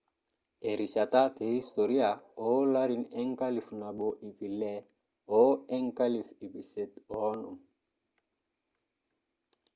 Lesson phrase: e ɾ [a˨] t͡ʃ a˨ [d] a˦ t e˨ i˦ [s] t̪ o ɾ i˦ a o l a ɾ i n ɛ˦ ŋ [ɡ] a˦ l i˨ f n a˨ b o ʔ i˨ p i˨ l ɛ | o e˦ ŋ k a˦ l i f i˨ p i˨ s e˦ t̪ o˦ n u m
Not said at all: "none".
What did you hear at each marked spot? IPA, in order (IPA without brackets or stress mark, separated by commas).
i˨, t, s, k